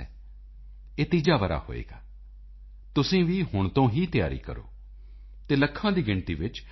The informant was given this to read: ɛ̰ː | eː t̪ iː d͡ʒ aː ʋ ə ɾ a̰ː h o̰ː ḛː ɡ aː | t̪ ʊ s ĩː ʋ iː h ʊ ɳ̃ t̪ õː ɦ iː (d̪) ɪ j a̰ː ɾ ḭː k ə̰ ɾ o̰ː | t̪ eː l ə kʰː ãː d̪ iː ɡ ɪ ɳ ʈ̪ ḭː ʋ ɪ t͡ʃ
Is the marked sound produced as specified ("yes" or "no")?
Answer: no